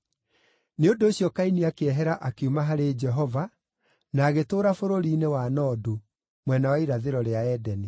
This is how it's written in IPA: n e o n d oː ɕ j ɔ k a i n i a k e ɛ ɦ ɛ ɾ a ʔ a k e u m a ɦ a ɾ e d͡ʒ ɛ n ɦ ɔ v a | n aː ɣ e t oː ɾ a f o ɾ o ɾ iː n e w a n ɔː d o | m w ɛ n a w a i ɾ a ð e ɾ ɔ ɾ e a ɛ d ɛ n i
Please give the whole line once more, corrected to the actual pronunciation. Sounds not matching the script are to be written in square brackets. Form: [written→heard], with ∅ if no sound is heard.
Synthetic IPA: n e o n d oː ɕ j ɔ k a i n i a k e ɛ ɦ ɛ ɾ a ʔ a k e u m a ɦ a ɾ e d͡ʒ ɛ [n→∅] ɦ ɔ v a | n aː ɣ e t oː ɾ a f o ɾ o ɾ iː n e w a n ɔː d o | m w ɛ n a w a i ɾ a ð e ɾ ɔ ɾ e a ɛ d ɛ n i

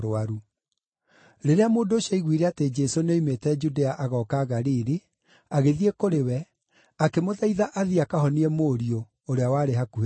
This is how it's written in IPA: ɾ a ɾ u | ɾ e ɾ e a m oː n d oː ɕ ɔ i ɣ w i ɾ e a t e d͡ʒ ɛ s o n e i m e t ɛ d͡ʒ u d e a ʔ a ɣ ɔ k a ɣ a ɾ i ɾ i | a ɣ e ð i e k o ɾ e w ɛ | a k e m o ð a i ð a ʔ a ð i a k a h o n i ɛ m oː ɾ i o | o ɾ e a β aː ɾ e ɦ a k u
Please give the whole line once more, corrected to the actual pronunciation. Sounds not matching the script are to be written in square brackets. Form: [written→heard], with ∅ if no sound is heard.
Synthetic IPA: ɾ a ɾ u | ɾ e ɾ e a m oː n d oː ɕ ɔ i ɣ w i ɾ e a t e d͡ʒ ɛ s o n e i m e t ɛ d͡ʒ u d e a ʔ a ɣ ɔ k a ɣ a ɾ i ɾ i | a ɣ e ð i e k o ɾ e w ɛ | a k e m o ð a i ð a ʔ a ð i a k a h [o→ɔ] n i ɛ m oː ɾ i o | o ɾ e a [β→w] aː ɾ e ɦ a k u

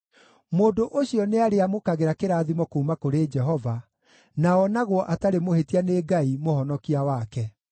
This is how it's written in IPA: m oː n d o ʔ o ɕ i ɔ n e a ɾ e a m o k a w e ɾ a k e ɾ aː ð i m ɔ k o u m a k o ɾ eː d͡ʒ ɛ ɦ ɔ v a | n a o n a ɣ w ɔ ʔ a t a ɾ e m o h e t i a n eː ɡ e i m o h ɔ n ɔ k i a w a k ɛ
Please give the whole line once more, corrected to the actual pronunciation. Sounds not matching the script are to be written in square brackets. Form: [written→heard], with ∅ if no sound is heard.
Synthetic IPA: m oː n d o ʔ o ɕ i ɔ n e a ɾ e a m o k a [w→ɣ] e ɾ a k e ɾ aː ð i m ɔ k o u m a k o ɾ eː d͡ʒ ɛ ɦ ɔ v a | n a [o→ɔ] n a ɣ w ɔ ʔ a t a ɾ e m o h e t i a n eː ɡ [e→a] i m o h ɔ n ɔ k i a w a k ɛ

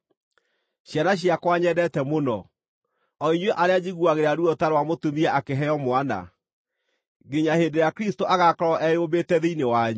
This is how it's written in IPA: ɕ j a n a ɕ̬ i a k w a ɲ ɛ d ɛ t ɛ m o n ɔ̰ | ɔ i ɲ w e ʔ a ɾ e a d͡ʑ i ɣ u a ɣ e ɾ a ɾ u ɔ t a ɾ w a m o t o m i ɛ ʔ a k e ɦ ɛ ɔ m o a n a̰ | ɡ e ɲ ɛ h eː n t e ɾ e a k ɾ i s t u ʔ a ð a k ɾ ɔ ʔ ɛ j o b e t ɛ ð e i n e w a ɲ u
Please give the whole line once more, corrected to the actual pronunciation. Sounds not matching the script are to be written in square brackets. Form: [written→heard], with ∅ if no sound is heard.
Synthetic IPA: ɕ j a n a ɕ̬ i a k w a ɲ ɛ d ɛ t ɛ m o n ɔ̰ | ɔ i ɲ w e ʔ a ɾ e a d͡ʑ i ɣ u a ɣ e ɾ a ɾ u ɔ t a ɾ w a m o t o m i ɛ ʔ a k e ɦ ɛ ɔ m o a n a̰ | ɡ e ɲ [ɛ→a] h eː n [t→d] e ɾ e a k ɾ i s t [u→o] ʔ a [ð→ɣ] a k ɾ ɔ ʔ ɛ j o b e t ɛ ð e i n e w a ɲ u

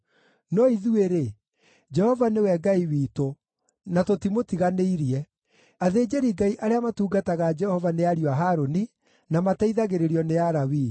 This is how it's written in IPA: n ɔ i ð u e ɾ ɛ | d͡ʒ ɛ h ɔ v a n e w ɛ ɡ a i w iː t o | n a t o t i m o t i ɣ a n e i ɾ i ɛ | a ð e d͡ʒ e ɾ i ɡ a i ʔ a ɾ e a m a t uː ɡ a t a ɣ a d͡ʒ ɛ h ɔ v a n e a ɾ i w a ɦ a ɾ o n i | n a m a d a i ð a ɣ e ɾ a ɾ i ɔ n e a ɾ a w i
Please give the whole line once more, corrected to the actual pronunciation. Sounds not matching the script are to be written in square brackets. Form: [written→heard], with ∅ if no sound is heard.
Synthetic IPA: n ɔ i ð u e ɾ [ɛ→e] | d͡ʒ ɛ h ɔ v a n e w ɛ ɡ a i w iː t o | n a t o t i m o t i ɣ a n e i ɾ i ɛ | a ð e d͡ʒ e ɾ i ɡ a i ʔ a ɾ e a m a t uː ɡ a t a ɣ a d͡ʒ ɛ h ɔ v a n e a ɾ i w a ɦ a ɾ o n i | n a m a [d→t] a i ð a ɣ e ɾ [a→e] ɾ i ɔ n e a ɾ a w i

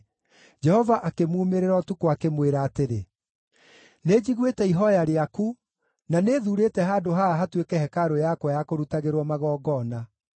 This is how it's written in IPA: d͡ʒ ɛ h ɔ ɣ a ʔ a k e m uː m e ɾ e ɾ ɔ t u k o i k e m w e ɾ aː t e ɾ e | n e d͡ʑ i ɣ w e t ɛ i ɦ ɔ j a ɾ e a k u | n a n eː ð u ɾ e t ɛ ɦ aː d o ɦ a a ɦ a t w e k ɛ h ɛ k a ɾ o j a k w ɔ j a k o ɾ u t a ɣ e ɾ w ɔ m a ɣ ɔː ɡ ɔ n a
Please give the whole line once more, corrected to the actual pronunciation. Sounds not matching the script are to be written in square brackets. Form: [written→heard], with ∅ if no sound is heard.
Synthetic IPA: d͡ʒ ɛ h ɔ [ɣ→v] a ʔ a k e m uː m e ɾ e ɾ ɔ t u k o [i→a] k e m w e ɾ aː t e ɾ e | n e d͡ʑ i ɣ w e t ɛ i ɦ ɔ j a ɾ e a k u | n a n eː ð u ɾ e t ɛ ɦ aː d o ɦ a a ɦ a t w e k ɛ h ɛ k a ɾ o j a k w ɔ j a k o ɾ u t a ɣ e ɾ w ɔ m a ɣ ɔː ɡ ɔ n a

